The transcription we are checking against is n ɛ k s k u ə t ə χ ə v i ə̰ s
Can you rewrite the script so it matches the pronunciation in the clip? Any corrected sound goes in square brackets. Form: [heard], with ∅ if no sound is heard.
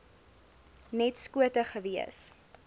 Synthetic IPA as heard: n ɛ [t] s k u ə t ə χ ə v i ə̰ s